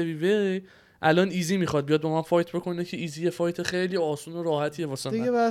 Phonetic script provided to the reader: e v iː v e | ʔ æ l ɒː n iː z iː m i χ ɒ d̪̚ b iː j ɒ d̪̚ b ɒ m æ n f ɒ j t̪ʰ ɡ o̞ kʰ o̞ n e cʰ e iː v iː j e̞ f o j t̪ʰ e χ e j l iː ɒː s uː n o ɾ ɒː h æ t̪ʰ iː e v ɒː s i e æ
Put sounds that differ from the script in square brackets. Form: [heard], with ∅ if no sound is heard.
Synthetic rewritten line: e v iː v e | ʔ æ l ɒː n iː z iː m i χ ɒ d̪̚ b [i] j ɒ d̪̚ b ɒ m æ n f ɒ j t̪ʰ [b] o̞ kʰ o̞ n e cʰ e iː [z] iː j e̞ f [ɒ] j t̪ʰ e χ e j l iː ɒː s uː n o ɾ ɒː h æ t̪ʰ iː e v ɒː s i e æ